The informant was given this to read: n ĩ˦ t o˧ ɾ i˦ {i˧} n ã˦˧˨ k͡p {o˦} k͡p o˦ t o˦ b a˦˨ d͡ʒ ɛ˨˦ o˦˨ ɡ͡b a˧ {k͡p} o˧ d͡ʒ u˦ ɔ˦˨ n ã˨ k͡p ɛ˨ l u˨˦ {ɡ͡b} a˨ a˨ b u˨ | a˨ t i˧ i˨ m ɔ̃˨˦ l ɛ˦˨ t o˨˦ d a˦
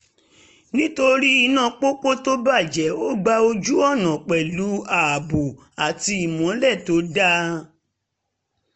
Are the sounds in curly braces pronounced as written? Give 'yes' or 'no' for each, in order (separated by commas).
yes, yes, no, no